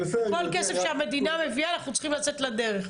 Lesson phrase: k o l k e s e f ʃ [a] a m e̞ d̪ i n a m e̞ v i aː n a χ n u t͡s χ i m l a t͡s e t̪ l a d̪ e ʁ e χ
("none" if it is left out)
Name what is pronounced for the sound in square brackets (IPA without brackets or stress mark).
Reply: e